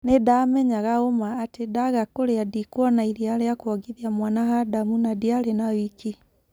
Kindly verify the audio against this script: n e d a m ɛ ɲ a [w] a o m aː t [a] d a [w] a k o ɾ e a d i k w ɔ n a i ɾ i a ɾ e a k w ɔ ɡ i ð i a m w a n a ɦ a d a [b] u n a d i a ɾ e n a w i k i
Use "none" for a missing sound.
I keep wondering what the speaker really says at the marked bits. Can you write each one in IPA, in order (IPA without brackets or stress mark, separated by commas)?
ɣ, e, ɣ, m